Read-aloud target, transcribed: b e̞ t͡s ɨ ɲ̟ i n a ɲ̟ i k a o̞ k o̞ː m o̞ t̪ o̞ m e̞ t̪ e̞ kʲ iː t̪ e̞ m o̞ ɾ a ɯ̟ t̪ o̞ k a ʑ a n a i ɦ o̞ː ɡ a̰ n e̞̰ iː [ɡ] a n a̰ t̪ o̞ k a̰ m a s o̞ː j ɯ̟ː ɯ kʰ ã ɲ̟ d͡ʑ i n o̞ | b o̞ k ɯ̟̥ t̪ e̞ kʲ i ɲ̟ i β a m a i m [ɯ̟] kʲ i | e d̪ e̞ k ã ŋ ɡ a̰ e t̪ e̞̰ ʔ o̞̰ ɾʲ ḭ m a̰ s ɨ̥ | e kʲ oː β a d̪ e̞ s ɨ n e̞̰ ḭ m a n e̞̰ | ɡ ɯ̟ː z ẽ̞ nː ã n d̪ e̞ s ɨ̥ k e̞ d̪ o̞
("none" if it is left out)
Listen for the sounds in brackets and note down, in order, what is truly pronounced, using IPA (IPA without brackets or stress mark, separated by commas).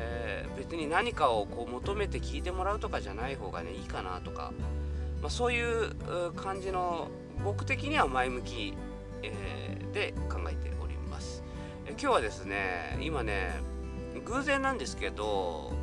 k, ɯ̟